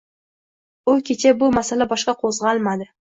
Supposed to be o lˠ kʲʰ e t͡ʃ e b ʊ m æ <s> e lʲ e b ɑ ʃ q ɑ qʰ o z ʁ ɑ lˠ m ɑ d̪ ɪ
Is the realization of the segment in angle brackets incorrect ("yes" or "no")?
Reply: no